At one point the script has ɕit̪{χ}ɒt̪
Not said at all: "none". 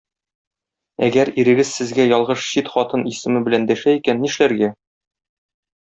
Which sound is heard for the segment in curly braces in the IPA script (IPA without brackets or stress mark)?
χ